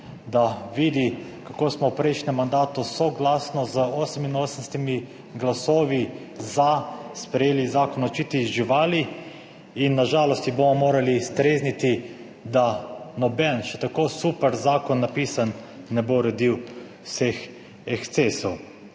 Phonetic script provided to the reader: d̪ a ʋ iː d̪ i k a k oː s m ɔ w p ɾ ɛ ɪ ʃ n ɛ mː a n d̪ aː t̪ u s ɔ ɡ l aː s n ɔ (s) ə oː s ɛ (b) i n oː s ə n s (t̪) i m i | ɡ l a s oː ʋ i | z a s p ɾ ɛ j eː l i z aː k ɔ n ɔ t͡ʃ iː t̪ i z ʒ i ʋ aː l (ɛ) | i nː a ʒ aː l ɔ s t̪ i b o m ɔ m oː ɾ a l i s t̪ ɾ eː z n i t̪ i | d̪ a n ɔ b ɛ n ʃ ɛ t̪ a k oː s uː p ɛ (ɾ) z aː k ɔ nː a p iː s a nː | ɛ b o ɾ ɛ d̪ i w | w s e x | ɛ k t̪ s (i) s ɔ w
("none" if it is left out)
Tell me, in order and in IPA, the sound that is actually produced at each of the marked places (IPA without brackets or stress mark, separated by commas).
z, m, t̪, i, ɾ, e